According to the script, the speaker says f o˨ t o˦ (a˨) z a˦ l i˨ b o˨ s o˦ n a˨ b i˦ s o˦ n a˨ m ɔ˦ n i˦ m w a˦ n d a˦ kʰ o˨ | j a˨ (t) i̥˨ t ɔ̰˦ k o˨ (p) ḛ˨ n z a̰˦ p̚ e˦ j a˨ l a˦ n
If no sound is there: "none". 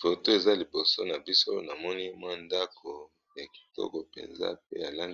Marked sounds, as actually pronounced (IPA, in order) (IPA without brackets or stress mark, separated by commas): e˨, k, p